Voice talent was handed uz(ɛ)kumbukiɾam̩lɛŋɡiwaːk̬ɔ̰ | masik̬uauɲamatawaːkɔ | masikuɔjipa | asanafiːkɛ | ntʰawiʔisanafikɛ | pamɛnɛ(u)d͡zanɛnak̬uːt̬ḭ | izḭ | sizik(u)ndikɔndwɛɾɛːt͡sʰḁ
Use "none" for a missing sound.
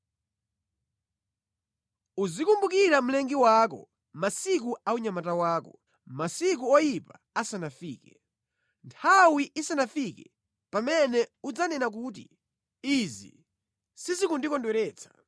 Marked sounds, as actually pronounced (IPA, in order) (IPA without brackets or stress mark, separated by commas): i, u, u